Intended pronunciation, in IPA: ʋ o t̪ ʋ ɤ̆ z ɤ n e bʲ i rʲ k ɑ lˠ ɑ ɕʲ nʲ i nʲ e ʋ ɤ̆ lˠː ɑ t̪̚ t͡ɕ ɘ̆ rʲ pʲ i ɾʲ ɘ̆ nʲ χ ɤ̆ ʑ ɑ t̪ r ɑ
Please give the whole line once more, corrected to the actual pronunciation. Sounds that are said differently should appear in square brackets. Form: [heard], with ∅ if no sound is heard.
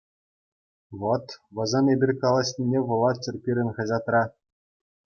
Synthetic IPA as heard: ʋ o t̪ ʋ ɤ̆ z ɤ n e bʲ i rʲ k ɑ lˠ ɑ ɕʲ nʲ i nʲ e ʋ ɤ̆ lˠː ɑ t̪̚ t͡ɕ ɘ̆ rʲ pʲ i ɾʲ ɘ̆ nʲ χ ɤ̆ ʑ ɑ t̪ r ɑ